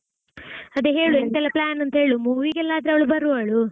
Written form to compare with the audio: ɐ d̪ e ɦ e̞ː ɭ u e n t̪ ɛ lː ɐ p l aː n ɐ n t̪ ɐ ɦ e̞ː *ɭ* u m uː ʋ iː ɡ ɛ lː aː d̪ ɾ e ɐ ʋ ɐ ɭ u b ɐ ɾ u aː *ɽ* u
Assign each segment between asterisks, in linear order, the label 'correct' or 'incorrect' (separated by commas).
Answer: correct, incorrect